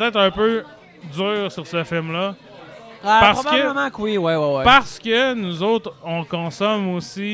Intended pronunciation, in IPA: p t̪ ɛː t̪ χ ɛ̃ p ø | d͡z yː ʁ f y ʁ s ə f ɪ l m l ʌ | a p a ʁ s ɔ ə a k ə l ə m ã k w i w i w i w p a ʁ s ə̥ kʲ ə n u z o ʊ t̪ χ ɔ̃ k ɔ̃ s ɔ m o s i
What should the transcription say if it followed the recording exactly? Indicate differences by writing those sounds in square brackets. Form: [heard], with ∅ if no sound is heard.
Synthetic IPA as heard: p t̪ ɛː t̪ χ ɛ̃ p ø | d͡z yː ʁ [s] y ʁ s ə f ɪ l m l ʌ | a p a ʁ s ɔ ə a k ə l ə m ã k w i w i w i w p a ʁ s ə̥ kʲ ə n u z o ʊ t̪ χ ɔ̃ k ɔ̃ s ɔ m o s i